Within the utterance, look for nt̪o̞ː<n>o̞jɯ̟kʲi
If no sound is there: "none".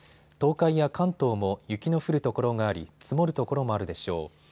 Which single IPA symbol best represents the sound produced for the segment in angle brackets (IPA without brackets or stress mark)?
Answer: m